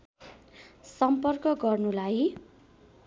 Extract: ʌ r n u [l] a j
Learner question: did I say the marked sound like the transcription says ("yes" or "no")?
yes